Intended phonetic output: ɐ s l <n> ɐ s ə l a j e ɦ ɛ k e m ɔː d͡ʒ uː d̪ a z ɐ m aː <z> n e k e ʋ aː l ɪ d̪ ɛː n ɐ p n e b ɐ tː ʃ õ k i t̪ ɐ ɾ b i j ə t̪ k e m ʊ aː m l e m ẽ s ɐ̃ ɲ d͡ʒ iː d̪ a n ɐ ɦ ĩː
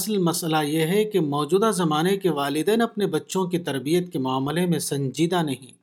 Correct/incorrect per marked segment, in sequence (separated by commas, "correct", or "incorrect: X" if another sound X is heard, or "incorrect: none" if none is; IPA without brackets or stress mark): incorrect: m, incorrect: none